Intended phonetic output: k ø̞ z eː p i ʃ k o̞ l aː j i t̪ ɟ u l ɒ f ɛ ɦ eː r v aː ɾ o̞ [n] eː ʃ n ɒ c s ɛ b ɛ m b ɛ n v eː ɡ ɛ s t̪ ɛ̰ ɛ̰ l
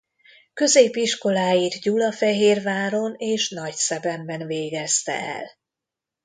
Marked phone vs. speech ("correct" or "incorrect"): correct